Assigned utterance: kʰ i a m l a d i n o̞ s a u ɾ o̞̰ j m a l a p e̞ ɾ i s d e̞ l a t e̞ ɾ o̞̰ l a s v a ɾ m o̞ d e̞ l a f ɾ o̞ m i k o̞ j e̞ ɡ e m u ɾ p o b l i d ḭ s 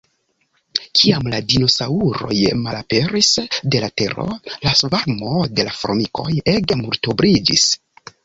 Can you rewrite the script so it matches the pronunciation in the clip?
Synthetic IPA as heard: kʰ i a m l a d i n o̞ s a u ɾ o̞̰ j m a l a p e̞ ɾ i s d e̞ l a t e̞ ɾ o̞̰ l a s v a ɾ m o̞ d e̞ l a f ɾ o̞ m i k o̞ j e̞ ɡ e m u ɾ t o b ɾ i d͡ʒ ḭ s